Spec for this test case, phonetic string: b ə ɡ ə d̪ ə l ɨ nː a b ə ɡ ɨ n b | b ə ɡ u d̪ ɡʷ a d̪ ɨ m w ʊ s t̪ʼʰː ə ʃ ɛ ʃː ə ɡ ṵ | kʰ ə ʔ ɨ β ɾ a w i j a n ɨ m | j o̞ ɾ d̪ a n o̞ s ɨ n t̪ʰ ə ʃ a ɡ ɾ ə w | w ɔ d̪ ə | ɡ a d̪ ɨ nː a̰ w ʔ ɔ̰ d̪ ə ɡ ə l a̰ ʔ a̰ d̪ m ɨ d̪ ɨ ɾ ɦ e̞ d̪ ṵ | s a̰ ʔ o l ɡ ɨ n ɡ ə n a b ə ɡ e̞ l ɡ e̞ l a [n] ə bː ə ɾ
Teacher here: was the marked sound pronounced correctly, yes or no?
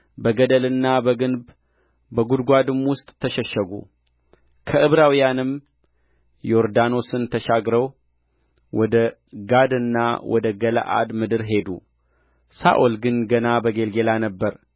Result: yes